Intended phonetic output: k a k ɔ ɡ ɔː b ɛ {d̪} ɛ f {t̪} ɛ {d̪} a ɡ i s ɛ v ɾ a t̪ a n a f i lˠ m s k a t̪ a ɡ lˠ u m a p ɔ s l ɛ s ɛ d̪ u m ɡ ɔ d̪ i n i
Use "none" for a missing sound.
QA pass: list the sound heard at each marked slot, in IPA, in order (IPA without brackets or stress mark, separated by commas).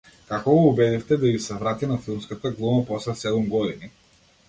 d̪, t̪, d̪